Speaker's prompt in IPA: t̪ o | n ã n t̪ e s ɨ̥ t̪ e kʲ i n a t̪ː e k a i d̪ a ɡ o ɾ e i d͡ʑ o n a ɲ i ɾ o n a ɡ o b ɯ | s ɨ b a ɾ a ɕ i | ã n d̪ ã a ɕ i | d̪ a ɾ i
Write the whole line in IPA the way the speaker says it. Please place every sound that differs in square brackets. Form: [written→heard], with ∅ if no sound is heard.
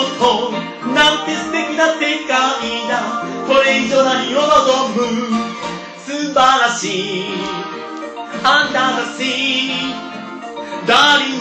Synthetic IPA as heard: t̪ o | n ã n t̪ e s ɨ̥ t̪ e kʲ i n a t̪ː e k a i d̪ a [ɡ→k] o ɾ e i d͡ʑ o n a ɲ i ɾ o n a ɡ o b ɯ | s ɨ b a ɾ a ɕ i | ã n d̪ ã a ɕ i | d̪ a ɾ i

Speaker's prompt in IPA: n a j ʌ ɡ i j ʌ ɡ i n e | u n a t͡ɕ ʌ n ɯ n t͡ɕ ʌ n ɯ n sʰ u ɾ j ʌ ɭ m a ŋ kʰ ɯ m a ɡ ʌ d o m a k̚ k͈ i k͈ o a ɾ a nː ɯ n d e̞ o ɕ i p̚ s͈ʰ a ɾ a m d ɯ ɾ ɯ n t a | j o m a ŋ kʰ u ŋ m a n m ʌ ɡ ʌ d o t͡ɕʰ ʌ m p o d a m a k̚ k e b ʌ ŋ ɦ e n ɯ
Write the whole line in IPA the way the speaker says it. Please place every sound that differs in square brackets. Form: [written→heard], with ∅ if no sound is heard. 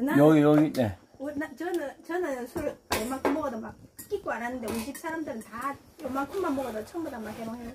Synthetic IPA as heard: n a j ʌ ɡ i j ʌ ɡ i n e | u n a t͡ɕ ʌ n ɯ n t͡ɕ ʌ n ɯ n sʰ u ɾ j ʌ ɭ m a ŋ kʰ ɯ m [a→ʌ] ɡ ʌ d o m a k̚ k͈ i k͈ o a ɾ a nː ɯ n d e̞ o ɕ i p̚ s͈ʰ a ɾ a m d ɯ ɾ ɯ n t a | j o m a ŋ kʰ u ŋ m a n m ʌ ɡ ʌ d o t͡ɕʰ ʌ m [p→b] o d a m a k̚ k e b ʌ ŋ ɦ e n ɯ

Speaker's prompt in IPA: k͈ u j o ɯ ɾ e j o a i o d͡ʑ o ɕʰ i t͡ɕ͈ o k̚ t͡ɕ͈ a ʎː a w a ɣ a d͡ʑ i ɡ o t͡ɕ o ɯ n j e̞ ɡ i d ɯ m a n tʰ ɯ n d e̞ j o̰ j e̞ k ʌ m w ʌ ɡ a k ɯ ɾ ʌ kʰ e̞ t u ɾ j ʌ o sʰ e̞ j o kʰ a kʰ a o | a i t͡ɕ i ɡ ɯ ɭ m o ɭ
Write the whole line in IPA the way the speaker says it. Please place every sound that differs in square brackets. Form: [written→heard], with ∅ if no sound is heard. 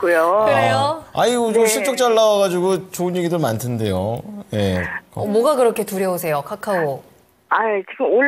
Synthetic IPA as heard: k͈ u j o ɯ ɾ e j o a i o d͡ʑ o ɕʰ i t͡ɕ͈ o k̚ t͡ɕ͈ a [ʎː→ɭː] a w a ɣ a d͡ʑ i ɡ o t͡ɕ o ɯ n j e̞ ɡ i d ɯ m a n tʰ ɯ n d e̞ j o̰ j e̞ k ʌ m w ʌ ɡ a k ɯ ɾ ʌ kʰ e̞ t u ɾ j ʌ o sʰ e̞ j o kʰ a kʰ a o | a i t͡ɕ i ɡ ɯ [ɭ→∅] m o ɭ

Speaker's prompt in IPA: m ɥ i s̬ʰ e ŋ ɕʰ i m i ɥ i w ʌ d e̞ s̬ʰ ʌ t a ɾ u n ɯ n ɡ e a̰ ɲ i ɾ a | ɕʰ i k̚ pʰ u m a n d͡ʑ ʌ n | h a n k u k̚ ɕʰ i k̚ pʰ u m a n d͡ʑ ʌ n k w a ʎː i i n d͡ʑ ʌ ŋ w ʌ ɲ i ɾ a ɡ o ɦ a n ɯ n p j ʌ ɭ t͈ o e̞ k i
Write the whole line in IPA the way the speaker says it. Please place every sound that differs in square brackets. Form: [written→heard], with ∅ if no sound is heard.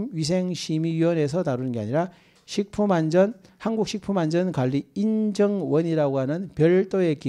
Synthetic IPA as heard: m ɥ i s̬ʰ e ŋ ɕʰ i m i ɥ i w ʌ [d→n] e̞ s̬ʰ ʌ t a ɾ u n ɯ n ɡ e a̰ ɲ i ɾ a | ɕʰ i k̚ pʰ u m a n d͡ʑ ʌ n | h a n [k→ɡ] u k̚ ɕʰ i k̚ pʰ u m a n d͡ʑ ʌ n k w a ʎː i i n d͡ʑ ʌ ŋ w ʌ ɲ i ɾ a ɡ o ɦ a n ɯ n p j ʌ ɭ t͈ o e̞ k i

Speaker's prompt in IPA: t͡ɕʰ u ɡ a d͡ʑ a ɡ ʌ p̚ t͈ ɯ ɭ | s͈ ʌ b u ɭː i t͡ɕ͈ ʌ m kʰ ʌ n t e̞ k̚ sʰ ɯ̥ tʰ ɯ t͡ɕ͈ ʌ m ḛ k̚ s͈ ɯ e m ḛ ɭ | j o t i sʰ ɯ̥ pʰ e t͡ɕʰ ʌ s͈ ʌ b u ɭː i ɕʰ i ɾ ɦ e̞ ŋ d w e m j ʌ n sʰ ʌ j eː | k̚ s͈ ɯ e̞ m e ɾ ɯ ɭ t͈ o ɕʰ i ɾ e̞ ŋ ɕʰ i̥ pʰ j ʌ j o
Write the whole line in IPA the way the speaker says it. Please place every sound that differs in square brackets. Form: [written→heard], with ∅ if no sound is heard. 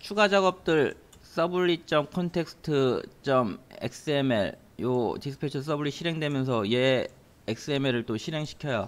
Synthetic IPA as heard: t͡ɕʰ u ɡ a d͡ʑ a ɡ ʌ p̚ t͈ ɯ ɭ | s͈ ʌ b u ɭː i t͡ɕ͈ ʌ m kʰ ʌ n [t→tʰ] e̞ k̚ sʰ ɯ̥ tʰ ɯ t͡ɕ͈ ʌ m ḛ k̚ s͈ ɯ e m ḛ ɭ | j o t i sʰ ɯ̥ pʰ e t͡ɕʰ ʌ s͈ ʌ b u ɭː i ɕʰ i ɾ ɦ e̞ ŋ d w e m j ʌ n sʰ ʌ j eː | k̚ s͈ ɯ e̞ m e ɾ ɯ ɭ t͈ o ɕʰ i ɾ e̞ ŋ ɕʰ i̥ [pʰ→kʰ] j ʌ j o

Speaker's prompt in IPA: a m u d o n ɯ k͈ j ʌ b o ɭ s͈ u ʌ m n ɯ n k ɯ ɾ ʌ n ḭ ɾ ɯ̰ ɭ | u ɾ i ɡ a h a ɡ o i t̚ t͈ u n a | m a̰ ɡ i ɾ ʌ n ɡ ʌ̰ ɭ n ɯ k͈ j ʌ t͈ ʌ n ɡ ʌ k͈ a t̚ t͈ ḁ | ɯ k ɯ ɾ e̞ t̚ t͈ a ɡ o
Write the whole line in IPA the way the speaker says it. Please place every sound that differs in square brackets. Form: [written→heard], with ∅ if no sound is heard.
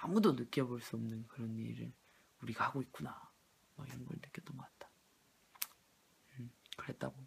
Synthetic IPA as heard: a m u d o n ɯ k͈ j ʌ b o ɭ s͈ u ʌ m n ɯ n k ɯ ɾ ʌ n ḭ ɾ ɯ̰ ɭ | u ɾ i ɡ a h a ɡ o i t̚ [t͈→k͈] u n a | m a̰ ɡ i ɾ ʌ n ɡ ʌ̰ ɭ n ɯ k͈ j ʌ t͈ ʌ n ɡ ʌ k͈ a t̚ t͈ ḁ | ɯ k ɯ ɾ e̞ t̚ t͈ a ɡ o

